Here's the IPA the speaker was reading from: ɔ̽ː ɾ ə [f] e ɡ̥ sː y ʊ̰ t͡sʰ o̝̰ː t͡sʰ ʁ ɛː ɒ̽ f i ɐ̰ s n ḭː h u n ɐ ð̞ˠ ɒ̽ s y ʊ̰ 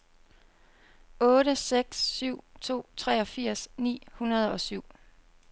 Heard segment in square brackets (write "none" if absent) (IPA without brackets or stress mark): s